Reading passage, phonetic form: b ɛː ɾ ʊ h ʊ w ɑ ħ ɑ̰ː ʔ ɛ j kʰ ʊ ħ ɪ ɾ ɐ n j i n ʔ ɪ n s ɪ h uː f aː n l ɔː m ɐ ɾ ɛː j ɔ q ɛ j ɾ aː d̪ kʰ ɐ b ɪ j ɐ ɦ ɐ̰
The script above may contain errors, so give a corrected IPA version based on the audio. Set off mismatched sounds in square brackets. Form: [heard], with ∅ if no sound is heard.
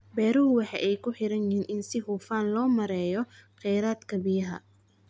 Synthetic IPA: b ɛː ɾ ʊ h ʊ w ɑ ħ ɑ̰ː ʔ ɛ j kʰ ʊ ħ ɪ ɾ ɐ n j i n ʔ ɪ n s ɪ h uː f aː n l ɔː m ɐ ɾ ɛː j ɔ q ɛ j ɾ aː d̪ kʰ ɐ b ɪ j ɐ ɦ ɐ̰